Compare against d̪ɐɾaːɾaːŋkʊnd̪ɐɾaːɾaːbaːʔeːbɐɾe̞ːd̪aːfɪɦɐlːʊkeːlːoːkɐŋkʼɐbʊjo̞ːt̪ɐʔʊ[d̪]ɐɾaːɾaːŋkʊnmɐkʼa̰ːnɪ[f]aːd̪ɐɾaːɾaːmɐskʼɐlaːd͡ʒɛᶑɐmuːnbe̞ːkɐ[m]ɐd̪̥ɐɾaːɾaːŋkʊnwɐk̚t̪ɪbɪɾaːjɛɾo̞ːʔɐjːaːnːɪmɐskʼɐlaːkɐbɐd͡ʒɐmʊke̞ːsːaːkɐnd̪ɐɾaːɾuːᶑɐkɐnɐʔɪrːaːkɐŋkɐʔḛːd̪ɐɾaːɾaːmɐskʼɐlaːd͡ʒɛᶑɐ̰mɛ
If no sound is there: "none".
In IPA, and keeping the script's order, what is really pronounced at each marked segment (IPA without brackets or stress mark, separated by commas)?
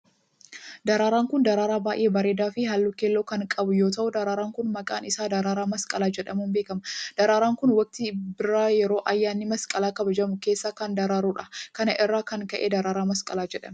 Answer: d̪, s, m